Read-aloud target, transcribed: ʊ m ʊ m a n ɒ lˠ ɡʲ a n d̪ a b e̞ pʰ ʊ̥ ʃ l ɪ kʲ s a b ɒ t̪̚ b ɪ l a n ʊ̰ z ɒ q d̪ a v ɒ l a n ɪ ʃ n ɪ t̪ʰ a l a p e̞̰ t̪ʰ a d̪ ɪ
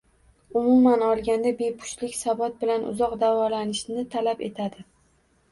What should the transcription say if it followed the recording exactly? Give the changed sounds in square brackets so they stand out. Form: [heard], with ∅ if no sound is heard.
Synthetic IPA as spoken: ʊ m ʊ m a n ɒ lˠ ɡʲ a n d̪ a b e̞ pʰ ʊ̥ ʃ l ɪ kʲ s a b ɒ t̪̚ b ɪ l a n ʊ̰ z ɒ q d̪ a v ɒ l a n ɪ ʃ n ɪ t̪ʰ a l a p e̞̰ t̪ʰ a d̪ ɪ